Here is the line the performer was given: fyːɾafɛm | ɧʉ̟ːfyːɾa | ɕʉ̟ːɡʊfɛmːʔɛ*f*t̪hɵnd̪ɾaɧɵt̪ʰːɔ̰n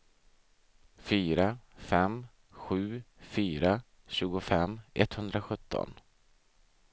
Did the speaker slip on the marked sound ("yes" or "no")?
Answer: yes